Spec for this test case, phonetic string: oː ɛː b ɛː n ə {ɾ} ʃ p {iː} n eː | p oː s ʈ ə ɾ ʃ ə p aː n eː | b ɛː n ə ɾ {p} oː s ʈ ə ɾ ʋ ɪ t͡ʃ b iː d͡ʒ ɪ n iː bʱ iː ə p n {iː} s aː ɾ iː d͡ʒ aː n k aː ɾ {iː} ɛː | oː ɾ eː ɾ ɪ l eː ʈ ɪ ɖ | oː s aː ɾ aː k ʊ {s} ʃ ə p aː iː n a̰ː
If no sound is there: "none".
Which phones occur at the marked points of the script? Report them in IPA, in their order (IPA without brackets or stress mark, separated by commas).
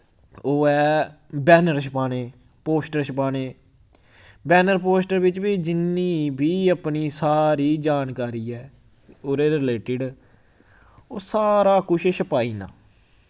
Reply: ɾ, aː, p, iː, iː, ʃ